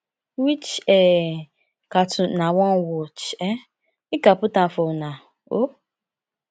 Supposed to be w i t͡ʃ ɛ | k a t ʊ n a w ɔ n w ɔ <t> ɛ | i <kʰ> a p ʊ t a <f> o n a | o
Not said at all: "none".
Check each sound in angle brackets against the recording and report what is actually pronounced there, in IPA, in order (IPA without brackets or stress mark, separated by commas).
t͡ʃ, k, f